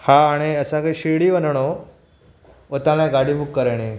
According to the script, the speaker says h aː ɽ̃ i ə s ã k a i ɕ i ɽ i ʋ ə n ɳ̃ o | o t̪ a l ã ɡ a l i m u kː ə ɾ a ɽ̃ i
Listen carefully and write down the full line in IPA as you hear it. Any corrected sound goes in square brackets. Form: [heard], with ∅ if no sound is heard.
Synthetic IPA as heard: h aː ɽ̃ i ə s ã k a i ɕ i ɽ i ʋ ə n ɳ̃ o | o t̪ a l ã ɡ a [ɽ] i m u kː ə ɾ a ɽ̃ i